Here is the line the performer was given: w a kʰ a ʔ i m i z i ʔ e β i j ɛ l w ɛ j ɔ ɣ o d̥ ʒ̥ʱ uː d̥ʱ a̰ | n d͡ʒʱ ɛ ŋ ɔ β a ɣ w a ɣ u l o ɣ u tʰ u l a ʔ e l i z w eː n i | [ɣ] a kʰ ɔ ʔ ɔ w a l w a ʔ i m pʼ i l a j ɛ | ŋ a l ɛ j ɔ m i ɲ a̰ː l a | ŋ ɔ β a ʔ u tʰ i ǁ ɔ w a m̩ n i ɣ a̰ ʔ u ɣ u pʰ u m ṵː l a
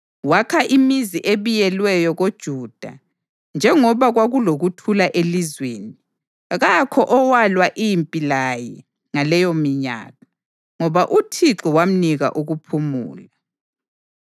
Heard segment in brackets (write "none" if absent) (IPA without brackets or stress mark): ɣ